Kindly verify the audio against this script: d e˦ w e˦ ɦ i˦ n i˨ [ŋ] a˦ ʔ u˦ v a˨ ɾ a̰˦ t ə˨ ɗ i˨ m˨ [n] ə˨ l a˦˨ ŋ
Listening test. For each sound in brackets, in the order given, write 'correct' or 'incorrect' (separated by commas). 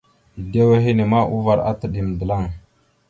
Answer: incorrect, incorrect